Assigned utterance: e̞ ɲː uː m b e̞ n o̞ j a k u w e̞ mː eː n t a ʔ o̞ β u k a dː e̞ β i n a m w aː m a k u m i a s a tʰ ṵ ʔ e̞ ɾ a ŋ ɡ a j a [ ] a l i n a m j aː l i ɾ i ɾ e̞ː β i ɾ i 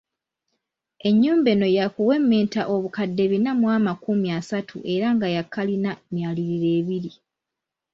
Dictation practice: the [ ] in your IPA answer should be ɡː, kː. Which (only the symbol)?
kː